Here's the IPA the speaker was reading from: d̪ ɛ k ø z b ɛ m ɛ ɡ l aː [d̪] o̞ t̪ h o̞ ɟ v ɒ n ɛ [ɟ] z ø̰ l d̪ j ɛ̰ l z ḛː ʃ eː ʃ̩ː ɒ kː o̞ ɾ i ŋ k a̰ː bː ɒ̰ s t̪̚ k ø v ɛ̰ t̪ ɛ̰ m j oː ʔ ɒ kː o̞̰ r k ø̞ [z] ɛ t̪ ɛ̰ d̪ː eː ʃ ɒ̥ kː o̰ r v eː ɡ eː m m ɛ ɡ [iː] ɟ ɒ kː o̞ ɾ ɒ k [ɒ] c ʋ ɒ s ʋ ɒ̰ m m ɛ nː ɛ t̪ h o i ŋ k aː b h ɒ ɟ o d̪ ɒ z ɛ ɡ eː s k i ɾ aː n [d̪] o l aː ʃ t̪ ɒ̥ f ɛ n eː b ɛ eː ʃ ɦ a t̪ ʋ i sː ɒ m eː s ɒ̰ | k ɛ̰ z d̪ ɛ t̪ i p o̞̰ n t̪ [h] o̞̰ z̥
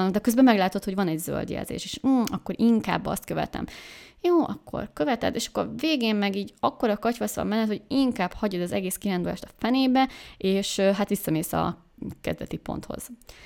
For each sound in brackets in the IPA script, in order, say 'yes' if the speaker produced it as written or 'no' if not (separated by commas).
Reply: no, yes, no, yes, yes, yes, yes